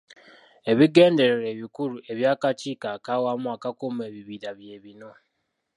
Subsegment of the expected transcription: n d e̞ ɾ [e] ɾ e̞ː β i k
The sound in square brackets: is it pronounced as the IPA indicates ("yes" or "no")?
yes